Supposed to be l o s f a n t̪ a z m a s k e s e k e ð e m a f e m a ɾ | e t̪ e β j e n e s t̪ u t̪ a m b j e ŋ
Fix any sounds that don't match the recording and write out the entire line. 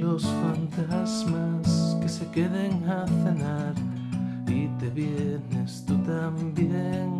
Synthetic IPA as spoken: l o s f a n t̪ a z m a s k e s e k e ð e ŋ a θ e n a ɾ | i t̪ e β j e n e s t̪ u t̪ a m b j e ŋ